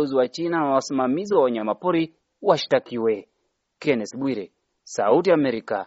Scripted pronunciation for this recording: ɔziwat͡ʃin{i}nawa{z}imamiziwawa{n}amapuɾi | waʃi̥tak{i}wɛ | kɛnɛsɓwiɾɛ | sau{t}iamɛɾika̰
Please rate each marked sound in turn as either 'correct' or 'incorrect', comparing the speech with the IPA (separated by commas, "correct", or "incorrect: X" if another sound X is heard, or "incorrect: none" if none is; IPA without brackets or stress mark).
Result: incorrect: a, incorrect: s, incorrect: ɲ, correct, correct